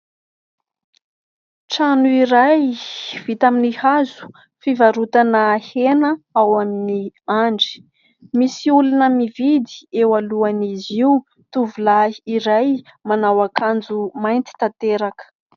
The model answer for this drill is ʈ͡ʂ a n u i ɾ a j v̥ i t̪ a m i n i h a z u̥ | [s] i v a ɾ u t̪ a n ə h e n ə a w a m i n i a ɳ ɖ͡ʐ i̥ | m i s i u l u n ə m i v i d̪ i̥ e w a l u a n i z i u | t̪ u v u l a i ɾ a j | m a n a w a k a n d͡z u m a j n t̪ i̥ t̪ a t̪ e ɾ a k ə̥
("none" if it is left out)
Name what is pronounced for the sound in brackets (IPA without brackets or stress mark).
f